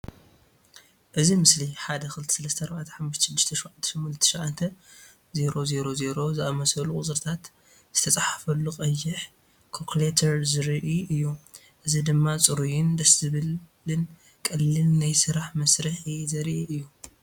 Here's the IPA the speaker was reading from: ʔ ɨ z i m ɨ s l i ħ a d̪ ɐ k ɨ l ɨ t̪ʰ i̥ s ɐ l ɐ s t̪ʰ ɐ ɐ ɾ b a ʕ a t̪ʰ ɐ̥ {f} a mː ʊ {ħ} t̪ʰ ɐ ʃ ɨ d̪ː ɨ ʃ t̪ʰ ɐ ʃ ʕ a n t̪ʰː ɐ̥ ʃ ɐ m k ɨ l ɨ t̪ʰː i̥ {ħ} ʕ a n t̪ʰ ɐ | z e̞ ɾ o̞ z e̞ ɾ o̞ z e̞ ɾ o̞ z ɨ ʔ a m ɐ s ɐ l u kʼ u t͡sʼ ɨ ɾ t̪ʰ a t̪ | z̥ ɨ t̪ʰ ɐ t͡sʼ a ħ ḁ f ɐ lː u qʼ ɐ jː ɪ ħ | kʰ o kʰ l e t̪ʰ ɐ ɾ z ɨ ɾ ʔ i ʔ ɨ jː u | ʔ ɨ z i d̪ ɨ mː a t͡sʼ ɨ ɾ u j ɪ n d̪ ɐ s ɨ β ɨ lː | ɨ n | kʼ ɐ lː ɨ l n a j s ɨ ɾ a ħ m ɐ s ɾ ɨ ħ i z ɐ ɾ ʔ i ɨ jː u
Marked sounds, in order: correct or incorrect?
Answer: incorrect, incorrect, incorrect

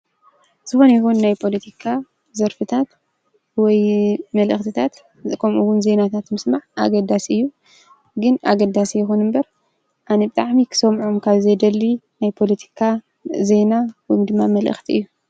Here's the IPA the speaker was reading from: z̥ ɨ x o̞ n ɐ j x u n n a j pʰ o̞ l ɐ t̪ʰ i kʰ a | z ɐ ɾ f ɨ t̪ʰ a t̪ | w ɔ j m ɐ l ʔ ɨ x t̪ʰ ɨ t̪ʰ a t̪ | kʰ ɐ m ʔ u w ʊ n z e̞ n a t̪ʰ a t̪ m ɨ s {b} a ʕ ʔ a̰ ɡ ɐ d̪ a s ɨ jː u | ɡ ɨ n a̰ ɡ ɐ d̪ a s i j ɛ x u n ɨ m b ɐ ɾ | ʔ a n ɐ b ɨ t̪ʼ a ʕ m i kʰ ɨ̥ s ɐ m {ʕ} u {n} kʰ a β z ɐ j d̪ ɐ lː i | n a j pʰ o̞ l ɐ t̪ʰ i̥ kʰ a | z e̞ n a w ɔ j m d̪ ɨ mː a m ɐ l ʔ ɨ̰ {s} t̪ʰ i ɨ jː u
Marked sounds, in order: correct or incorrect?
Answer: incorrect, correct, incorrect, incorrect

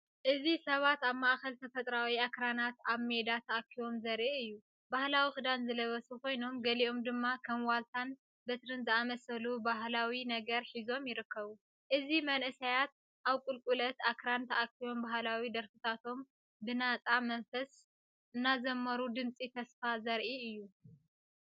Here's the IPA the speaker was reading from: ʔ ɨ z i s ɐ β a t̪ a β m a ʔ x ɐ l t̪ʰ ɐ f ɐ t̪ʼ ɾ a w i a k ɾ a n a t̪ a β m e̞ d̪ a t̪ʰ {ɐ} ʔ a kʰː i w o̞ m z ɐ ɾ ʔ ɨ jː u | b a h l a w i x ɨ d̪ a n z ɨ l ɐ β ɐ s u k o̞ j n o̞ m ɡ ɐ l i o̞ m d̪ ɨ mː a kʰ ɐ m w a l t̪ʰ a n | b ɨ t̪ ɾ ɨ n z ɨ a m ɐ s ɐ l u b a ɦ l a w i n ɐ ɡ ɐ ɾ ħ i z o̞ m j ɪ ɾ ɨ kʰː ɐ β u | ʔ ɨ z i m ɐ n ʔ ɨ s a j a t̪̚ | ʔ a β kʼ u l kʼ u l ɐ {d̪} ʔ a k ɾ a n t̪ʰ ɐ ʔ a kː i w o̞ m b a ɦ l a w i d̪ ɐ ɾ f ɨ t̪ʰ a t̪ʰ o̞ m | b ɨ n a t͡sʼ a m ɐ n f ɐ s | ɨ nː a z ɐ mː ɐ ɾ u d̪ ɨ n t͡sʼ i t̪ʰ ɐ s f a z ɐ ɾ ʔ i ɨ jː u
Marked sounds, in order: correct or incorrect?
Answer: correct, incorrect

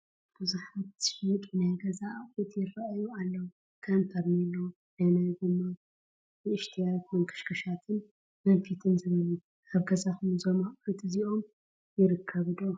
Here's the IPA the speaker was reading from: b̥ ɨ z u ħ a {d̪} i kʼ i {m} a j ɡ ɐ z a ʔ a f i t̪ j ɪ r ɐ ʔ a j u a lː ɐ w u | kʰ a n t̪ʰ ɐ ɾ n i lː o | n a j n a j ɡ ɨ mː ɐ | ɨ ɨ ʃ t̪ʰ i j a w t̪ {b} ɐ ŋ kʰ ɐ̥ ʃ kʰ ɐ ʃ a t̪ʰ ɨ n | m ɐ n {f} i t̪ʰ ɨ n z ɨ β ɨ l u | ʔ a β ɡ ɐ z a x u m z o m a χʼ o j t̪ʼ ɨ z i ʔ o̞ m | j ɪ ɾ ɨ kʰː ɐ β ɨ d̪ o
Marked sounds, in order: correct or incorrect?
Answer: incorrect, incorrect, incorrect, correct

